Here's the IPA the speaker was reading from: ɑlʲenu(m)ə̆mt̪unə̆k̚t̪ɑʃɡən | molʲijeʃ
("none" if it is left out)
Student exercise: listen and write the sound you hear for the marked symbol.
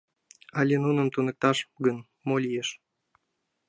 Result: n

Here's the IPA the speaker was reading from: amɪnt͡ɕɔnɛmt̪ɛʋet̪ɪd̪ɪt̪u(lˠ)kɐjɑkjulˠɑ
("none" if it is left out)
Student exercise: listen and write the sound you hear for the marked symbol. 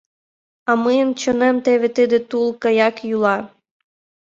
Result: lˠ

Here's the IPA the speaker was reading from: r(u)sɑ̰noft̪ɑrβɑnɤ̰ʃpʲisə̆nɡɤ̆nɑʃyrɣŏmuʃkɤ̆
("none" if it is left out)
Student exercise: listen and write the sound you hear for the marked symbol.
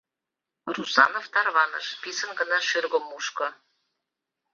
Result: u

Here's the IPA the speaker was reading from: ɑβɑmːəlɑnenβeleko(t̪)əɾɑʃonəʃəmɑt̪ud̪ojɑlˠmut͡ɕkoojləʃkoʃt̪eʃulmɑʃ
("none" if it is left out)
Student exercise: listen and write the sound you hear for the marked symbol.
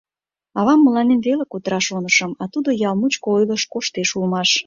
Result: t̪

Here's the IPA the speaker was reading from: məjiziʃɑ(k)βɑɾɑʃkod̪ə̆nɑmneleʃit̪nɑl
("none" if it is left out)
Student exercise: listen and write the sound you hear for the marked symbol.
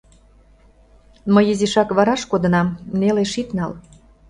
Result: k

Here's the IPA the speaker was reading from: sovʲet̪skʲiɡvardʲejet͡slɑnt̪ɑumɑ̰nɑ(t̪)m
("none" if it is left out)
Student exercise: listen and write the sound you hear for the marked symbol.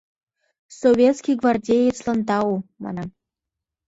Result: none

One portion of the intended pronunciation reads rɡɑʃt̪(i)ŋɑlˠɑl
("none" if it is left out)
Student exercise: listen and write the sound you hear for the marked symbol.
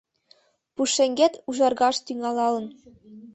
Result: y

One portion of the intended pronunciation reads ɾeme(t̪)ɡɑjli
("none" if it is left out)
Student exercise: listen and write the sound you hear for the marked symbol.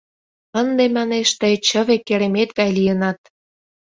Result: t̪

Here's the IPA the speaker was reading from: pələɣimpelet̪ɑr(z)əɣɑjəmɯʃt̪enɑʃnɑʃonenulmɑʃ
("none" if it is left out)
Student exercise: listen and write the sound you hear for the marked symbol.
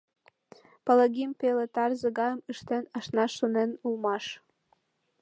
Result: z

